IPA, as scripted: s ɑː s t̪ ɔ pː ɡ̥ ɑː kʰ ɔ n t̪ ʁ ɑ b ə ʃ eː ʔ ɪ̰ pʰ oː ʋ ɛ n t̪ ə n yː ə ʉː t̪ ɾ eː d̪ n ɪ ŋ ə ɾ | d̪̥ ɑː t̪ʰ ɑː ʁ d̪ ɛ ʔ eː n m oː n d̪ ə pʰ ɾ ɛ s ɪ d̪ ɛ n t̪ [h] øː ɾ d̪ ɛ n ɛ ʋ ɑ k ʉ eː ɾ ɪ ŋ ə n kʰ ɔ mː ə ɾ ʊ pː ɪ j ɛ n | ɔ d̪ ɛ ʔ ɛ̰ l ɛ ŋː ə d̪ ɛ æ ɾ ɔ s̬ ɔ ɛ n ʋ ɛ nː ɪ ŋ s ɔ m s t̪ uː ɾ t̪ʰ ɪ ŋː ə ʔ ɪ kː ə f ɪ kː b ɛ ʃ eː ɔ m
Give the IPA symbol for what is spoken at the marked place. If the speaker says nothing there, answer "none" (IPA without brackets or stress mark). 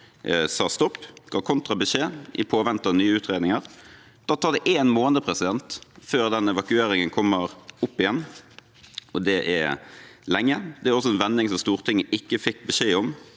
f